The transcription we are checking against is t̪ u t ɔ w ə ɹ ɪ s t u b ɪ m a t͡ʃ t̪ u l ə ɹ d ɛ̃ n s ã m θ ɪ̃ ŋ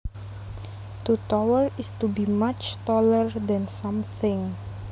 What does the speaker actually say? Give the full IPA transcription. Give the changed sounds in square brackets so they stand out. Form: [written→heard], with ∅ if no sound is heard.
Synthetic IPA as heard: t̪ u t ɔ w ə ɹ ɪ s t u b [ɪ→i] m a t͡ʃ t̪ [u→ɔ] l ə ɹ d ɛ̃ n s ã m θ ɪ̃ ŋ